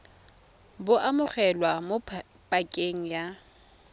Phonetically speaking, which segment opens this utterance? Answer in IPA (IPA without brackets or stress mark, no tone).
b